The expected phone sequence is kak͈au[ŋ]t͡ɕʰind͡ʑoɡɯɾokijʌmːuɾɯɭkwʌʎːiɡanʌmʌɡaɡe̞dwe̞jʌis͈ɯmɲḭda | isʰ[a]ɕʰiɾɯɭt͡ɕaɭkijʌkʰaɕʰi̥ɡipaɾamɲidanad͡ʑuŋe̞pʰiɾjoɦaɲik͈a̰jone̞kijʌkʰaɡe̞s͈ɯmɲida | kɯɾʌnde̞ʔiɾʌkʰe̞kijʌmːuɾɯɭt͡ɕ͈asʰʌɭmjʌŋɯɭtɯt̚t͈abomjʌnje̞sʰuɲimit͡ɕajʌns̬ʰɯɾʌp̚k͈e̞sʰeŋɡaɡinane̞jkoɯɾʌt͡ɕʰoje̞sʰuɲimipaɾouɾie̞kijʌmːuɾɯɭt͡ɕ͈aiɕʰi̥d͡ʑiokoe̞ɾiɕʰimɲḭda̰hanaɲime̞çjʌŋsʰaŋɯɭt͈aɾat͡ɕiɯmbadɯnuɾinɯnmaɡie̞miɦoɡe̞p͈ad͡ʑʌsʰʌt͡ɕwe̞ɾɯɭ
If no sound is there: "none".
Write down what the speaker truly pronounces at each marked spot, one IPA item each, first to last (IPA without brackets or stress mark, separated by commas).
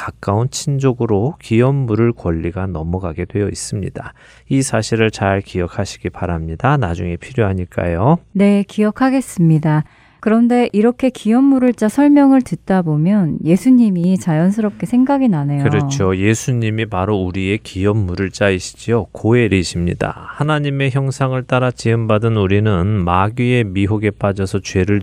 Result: n, a